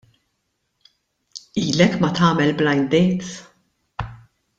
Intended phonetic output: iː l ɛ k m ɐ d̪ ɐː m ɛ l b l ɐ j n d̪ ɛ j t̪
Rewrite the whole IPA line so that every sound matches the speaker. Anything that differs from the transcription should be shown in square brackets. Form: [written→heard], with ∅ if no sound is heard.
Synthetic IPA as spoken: iː l ɛ k m ɐ [d̪→t̪] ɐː m ɛ l b l ɐ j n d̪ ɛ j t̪

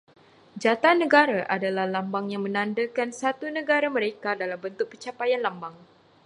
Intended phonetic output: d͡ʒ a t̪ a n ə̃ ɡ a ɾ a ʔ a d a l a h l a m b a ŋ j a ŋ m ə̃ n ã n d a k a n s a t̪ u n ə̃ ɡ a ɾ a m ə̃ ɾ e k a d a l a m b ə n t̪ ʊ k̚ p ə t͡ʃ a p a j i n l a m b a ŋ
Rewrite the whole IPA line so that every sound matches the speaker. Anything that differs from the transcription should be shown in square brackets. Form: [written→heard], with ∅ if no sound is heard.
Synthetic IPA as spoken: d͡ʒ a t̪ a n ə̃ ɡ a ɾ a ʔ a d a l a h l a m b a ŋ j a ŋ m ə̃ n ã n d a k a n s a t̪ u n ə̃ ɡ a ɾ a m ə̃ ɾ e k a d a l a m b ə n t̪ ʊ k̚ p ə t͡ʃ a p a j [i→a] n l a m b a ŋ

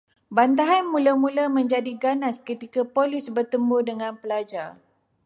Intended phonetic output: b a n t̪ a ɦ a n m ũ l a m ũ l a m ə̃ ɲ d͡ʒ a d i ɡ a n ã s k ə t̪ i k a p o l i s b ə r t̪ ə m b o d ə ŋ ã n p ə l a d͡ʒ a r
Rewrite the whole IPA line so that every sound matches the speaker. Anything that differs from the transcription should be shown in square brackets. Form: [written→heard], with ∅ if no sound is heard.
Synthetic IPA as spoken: b a n t̪ a ɦ a n m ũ l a m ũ l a m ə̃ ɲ d͡ʒ a d i ɡ a n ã s k ə t̪ i k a p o l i s b ə r t̪ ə m b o d ə ŋ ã n p ə l a d͡ʒ a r

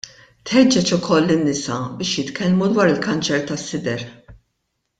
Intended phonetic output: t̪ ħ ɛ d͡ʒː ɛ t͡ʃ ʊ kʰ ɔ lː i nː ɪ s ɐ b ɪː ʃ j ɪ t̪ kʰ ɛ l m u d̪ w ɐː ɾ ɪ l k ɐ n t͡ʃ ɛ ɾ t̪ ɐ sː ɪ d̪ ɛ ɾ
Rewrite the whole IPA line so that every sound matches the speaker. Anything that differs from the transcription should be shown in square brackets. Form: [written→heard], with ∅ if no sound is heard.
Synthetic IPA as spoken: t̪ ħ ɛ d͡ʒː ɛ t͡ʃ ʊ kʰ ɔ lː [i→ɪ] nː ɪ s ɐ b ɪː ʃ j ɪ t̪ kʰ ɛ l m u d̪ w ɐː ɾ ɪ l k ɐ n t͡ʃ ɛ ɾ t̪ ɐ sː ɪ d̪ ɛ ɾ

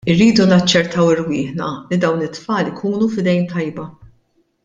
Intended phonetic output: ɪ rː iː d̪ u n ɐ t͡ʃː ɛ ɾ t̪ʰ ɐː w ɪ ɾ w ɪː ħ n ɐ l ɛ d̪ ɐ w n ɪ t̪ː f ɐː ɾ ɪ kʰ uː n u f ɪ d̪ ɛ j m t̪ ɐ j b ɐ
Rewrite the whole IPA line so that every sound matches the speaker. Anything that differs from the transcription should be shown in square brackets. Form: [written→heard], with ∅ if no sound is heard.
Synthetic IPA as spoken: ɪ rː iː d̪ u n ɐ t͡ʃː ɛ ɾ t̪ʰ [ɐː→ɐ] w ɪ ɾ w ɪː ħ n ɐ l [ɛ→i] d̪ ɐ w n ɪ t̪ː f ɐː [ɾ→l] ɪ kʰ uː n u f ɪ d̪ ɛ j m t̪ ɐ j b ɐ

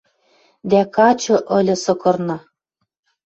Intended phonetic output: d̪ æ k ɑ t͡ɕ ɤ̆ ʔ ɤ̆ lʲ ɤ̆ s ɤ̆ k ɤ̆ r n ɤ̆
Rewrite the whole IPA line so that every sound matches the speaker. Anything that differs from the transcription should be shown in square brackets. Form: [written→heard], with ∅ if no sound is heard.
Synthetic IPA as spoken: d̪ æ k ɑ t͡ɕ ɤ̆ ʔ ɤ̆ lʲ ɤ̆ s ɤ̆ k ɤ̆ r n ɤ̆

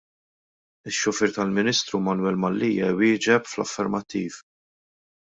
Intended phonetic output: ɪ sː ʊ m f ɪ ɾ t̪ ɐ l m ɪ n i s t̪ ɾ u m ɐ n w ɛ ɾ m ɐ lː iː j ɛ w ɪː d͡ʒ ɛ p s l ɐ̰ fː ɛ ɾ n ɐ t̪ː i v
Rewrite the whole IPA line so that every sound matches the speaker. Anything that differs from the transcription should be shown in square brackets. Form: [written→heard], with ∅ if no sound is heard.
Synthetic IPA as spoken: ɪ [sː→ʃː] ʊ [m→∅] f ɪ ɾ t̪ ɐ l m ɪ n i s t̪ ɾ u m ɐ n w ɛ [ɾ→l] m ɐ lː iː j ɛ w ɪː d͡ʒ ɛ p [s→f] l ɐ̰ fː ɛ ɾ [n→m] ɐ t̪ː [i→iː] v

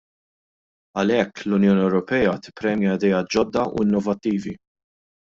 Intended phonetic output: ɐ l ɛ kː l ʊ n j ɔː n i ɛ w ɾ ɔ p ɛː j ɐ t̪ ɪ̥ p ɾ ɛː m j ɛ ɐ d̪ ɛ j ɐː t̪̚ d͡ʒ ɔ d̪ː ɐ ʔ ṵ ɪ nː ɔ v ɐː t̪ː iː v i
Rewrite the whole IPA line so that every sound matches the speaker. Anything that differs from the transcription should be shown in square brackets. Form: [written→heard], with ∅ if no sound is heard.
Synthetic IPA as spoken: ɐ l ɛ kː l ʊ n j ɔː n i ɛ w ɾ ɔ p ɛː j ɐ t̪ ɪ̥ p ɾ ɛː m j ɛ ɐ d̪ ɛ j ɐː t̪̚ d͡ʒ ɔ d̪ː ɐ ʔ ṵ ɪ nː ɔ v [ɐː→ɐ] t̪ː iː v i

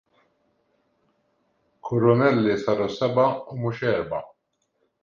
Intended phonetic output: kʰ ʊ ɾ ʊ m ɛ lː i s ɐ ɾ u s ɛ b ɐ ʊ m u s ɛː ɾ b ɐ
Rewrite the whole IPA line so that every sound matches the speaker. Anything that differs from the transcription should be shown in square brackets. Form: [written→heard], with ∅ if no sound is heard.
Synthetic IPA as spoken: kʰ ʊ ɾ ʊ [m→n] ɛ lː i s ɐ ɾ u s ɛ b ɐ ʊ m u [s→ʃ] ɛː ɾ b ɐ

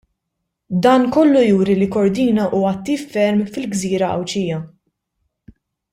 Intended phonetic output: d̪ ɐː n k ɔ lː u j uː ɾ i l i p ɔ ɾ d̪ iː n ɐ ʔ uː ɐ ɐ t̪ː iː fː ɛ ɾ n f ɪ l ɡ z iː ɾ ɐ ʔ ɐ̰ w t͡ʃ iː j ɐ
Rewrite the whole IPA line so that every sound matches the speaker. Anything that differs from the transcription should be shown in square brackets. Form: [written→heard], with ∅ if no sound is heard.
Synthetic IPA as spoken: d̪ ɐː n k ɔ lː u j uː ɾ i l i [p→k] ɔ ɾ d̪ iː n ɐ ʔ uː ɐ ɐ t̪ː iː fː ɛ ɾ [n→m] f ɪ l ɡ z iː ɾ ɐ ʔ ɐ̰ w t͡ʃ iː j ɐ

